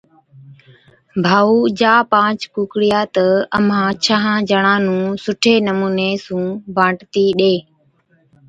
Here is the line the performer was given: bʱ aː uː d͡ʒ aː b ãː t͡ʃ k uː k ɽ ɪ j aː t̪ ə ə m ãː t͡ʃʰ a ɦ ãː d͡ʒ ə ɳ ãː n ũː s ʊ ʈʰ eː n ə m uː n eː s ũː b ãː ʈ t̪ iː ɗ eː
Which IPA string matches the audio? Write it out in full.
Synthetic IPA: bʱ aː uː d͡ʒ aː p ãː t͡ʃ k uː k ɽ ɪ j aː t̪ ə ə m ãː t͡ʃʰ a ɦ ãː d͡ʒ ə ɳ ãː n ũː s ʊ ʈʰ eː n ə m uː n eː s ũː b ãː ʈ t̪ iː ɗ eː